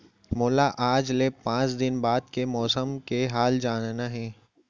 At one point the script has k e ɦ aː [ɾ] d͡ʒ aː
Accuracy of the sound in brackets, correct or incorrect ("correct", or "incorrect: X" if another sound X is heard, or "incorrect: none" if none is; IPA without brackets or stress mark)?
incorrect: l